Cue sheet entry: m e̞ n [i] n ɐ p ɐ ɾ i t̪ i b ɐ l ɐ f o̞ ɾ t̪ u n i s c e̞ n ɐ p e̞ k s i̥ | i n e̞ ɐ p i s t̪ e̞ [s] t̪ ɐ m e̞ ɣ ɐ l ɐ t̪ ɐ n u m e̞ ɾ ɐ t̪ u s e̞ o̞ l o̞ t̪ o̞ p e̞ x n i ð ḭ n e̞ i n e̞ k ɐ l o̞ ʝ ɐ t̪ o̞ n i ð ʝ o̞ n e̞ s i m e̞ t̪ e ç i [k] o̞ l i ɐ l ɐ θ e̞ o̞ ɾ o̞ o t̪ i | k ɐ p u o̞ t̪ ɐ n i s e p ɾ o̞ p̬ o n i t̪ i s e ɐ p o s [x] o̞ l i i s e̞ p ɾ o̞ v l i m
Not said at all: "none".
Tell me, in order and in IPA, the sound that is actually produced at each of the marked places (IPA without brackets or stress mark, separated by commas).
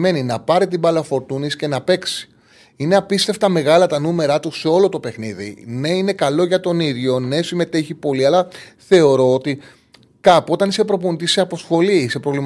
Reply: i, f, p, x